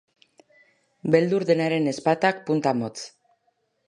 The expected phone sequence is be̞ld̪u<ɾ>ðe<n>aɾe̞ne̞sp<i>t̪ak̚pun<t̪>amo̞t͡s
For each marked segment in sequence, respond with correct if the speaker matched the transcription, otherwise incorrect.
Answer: correct, correct, incorrect, correct

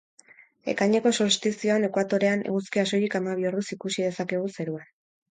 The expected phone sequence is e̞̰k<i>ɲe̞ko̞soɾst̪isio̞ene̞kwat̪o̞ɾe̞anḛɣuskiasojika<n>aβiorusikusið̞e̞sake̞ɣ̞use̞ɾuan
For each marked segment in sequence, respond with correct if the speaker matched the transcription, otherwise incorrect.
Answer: incorrect, incorrect

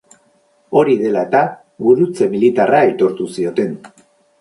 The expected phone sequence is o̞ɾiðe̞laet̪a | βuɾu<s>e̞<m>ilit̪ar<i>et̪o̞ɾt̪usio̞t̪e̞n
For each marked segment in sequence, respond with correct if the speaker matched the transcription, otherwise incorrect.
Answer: incorrect, correct, incorrect

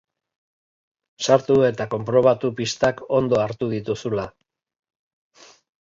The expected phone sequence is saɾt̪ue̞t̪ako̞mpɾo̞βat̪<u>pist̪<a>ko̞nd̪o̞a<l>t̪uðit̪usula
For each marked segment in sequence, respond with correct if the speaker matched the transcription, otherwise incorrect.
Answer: correct, correct, incorrect

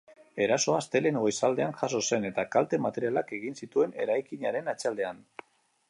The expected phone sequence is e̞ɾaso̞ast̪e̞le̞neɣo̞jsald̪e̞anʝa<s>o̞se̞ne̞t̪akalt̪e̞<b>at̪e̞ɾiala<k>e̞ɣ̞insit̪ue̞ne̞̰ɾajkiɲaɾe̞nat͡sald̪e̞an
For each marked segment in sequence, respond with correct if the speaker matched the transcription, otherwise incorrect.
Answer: correct, incorrect, correct

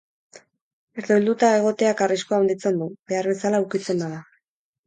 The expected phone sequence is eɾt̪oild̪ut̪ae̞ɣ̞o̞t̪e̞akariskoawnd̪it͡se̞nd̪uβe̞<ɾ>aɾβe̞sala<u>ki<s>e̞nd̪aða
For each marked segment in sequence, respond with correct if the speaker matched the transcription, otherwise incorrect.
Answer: incorrect, correct, incorrect

